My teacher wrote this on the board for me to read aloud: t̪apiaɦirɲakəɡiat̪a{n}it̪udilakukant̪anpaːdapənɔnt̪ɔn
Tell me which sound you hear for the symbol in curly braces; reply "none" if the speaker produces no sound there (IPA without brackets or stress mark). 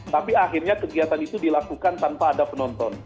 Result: n